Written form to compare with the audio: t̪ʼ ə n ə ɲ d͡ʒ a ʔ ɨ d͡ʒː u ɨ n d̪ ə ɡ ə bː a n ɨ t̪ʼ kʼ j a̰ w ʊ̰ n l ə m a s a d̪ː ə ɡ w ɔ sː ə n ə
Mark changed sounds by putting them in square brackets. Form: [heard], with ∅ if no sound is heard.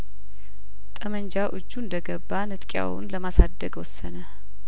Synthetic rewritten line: t̪ʼ ə [m] ə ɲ d͡ʒ a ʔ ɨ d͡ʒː u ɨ n d̪ ə ɡ ə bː a n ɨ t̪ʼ kʼ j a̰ w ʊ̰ n l ə m a s a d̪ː ə ɡ w ɔ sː ə n ə